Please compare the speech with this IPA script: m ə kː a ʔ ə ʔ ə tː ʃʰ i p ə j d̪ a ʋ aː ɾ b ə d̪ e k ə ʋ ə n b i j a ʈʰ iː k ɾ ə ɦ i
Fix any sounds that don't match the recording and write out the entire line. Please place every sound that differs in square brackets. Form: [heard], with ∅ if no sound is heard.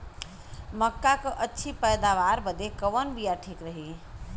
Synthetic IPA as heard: m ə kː a [k] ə ʔ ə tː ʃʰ i p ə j d̪ a ʋ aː ɾ b ə d̪ e k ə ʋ ə n b i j a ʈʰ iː k ɾ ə ɦ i